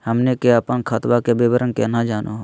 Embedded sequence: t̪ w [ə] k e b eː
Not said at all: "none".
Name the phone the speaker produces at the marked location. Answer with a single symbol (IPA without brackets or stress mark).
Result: a